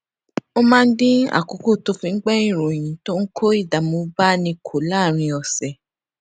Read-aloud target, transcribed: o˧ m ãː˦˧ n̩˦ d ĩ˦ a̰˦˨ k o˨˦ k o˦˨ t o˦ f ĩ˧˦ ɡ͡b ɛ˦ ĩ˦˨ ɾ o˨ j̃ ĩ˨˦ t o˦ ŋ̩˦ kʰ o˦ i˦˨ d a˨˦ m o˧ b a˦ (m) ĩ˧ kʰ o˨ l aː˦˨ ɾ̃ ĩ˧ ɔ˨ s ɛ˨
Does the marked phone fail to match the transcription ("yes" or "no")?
yes